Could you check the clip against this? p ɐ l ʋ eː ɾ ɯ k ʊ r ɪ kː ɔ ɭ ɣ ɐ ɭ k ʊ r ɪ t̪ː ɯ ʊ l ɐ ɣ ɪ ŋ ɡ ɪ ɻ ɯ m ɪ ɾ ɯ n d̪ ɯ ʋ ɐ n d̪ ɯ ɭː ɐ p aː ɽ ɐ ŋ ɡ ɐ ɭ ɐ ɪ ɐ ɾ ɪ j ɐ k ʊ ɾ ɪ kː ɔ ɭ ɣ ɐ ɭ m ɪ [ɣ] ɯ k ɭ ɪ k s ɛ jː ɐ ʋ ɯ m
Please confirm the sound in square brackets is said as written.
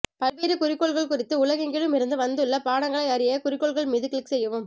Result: no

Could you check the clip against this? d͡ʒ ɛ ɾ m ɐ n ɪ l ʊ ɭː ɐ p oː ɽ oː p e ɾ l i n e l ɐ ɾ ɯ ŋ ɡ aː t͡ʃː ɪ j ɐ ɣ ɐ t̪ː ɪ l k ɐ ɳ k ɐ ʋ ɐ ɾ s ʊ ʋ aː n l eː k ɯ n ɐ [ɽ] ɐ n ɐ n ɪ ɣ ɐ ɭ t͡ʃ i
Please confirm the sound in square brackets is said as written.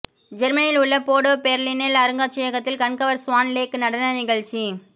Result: yes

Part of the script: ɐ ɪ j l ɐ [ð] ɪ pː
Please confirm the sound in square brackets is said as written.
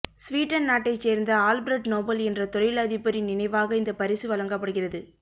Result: yes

